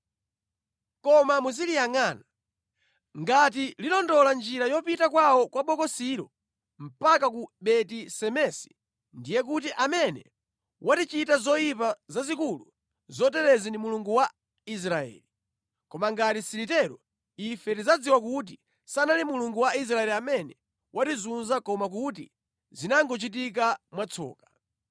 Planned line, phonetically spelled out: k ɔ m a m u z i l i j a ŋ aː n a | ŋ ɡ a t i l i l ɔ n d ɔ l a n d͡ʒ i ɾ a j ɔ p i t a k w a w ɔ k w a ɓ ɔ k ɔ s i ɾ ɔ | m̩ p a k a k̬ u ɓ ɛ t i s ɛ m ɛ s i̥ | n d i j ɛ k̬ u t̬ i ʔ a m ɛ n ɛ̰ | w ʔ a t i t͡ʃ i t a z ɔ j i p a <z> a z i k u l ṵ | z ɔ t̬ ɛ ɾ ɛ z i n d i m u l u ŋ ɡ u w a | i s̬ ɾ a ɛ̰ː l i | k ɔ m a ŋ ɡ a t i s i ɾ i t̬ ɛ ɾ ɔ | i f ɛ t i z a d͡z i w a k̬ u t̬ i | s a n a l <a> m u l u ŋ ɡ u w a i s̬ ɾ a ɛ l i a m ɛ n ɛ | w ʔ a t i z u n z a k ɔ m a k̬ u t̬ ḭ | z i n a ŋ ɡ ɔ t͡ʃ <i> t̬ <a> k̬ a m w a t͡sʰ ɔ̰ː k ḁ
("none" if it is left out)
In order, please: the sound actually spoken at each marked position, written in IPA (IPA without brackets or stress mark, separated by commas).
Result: z, i, i, i